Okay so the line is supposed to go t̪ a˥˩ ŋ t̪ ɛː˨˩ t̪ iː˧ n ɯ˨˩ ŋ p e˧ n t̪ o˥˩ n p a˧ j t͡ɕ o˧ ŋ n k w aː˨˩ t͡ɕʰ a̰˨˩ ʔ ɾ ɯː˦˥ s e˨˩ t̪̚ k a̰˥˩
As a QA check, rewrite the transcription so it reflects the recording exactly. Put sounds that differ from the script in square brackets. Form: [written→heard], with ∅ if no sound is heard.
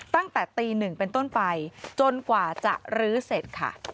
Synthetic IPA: t̪ a˥˩ ŋ t̪ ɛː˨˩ t̪ iː˧ n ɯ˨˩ ŋ p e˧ n t̪ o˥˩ n p a˧ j t͡ɕ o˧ [ŋ→∅] n k w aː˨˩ [t͡ɕʰ→t͡ɕ] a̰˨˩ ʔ ɾ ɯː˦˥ s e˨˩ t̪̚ [k→kʰ] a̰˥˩